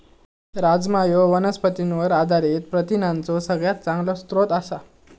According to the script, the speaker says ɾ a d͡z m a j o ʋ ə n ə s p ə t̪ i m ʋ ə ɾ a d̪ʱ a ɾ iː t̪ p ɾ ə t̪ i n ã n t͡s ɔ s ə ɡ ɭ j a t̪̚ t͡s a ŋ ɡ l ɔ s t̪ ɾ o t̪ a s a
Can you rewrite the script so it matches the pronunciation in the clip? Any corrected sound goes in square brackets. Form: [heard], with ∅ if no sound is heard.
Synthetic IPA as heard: ɾ a d͡z m a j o ʋ ə n ə s p ə t̪ i [n] ʋ ə ɾ a d̪ʱ a ɾ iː t̪ p ɾ ə t̪ i n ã n t͡s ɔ s ə ɡ ɭ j a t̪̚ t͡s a ŋ ɡ l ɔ s t̪ ɾ o t̪ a s a